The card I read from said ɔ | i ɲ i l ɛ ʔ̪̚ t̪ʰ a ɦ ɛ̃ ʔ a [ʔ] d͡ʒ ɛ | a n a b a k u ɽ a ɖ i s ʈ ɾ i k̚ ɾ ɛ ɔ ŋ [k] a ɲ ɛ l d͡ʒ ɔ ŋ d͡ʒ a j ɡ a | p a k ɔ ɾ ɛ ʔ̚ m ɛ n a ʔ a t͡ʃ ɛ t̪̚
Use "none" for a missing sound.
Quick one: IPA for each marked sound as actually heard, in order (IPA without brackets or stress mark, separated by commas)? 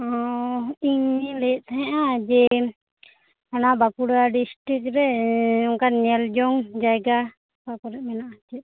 none, k